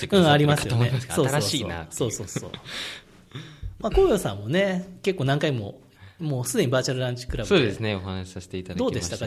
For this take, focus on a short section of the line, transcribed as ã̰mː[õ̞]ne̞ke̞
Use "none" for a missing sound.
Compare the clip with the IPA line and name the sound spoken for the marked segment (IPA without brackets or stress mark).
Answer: o̞